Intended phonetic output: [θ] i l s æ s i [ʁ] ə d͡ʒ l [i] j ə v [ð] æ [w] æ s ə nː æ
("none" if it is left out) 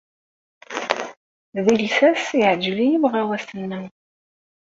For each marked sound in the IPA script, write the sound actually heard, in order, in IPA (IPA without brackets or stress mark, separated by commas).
ð, ʕ, i, ʁ, w